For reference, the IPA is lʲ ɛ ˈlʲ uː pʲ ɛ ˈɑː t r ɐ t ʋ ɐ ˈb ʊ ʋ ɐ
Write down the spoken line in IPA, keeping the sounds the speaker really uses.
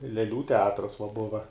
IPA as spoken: lʲ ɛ ˈlʲ uː tʲ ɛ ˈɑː t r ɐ s ʋ ɐ ˈb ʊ ʋ ɐ